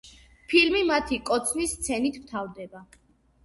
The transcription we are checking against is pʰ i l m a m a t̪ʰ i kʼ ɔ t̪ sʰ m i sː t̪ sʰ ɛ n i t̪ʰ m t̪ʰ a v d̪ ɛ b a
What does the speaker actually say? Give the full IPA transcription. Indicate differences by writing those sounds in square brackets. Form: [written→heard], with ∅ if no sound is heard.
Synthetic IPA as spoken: pʰ i l m [a→i] m a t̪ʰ i kʼ ɔ t̪ sʰ [m→n] i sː t̪ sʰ ɛ n i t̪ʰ m t̪ʰ a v d̪ ɛ b a